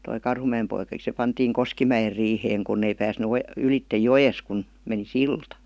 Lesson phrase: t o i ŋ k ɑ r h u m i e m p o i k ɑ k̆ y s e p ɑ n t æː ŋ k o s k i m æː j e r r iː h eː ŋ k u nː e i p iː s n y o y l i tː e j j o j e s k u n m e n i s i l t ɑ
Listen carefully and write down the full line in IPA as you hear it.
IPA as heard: t o i k ɑ r h u m æ e m p o i k ɑ k̆ i s e p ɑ n t iː ŋ k o s k i m æ j e r r iː h eː ŋ k u nː e i p æː s n y o y l i tː e j j o j e s k u n m e n i s i l t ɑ

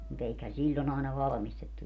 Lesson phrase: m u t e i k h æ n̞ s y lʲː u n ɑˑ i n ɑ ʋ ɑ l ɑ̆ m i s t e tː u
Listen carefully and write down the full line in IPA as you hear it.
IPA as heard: m u t e i k h æ n̞ s i lʲː o n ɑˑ e n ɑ ʋ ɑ l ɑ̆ m i s t e tː u

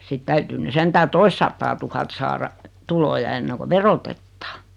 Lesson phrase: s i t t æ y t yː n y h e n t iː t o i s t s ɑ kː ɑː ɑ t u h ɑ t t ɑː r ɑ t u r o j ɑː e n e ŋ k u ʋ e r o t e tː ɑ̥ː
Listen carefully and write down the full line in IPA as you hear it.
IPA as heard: s i t t æ y t yː n y s e n t æː t o i s t s ɑ tː ɑː ɑ t u h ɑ t s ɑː r ɑ t u l o j ɑ e nː e ŋ k o ʋ e r o t e tː ɑ̥ː

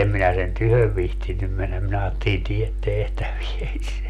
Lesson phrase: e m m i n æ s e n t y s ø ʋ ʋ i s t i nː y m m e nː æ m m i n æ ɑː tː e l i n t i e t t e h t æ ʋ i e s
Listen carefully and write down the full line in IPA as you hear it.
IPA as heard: e m m i n æ s e n t y h ø ʋ ʋ i h t i nː y m m e nː æ m m i n æ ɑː tː e l i n t i e t t e h t æ ʋ i e s

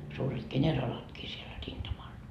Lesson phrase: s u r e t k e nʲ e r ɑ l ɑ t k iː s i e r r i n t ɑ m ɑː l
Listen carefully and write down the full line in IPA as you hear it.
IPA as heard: s uː r e t k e nʲ e r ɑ l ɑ t k iː s i e l r i n t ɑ m ɑ l

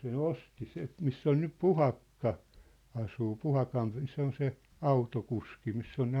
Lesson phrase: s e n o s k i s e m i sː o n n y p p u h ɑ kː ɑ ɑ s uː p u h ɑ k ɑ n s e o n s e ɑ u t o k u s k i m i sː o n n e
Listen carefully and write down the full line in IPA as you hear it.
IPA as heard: s e n o s t i s e m i sː o n n y p p u h ɑ kː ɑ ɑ s uː p u h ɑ k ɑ n s e o n s e ɑ u t o k u s k i m i sː o n n e

